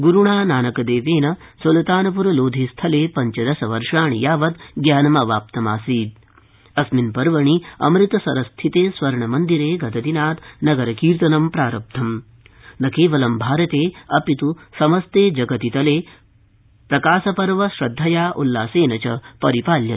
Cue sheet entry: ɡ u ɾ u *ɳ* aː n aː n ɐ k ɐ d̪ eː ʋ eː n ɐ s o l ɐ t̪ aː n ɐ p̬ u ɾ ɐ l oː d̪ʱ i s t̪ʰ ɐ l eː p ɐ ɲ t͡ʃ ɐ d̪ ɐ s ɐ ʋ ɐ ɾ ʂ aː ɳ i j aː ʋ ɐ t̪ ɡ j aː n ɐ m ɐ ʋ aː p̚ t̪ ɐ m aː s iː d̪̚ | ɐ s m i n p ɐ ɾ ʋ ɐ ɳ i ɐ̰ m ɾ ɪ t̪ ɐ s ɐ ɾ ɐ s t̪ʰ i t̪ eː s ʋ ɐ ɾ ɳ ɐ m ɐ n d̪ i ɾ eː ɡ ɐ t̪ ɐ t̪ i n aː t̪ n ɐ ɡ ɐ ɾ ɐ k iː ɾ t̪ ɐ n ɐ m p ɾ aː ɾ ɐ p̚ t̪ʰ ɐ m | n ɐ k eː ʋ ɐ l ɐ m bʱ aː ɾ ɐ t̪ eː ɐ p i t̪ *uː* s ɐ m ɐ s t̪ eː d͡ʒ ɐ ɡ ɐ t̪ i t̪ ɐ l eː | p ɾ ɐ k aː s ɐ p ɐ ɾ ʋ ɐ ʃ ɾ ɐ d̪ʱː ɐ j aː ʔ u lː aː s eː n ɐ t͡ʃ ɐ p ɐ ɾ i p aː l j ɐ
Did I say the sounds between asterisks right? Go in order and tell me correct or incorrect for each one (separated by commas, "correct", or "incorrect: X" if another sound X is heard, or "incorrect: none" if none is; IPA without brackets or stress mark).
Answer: correct, incorrect: u